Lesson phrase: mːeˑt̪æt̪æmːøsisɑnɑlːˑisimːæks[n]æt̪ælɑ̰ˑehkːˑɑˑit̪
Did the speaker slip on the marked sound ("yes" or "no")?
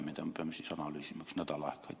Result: no